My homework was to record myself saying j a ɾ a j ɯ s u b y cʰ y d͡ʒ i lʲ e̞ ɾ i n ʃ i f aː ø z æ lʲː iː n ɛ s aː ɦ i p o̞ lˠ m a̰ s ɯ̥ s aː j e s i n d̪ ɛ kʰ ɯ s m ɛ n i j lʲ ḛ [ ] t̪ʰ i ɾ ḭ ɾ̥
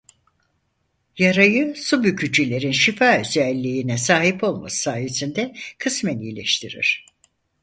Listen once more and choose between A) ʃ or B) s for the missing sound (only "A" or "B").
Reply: A